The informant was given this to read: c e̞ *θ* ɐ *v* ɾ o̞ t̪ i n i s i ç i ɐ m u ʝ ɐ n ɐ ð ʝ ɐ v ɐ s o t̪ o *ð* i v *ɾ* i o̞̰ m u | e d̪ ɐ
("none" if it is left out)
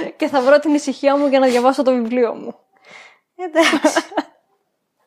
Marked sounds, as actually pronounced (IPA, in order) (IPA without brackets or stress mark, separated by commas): θ, v, v, l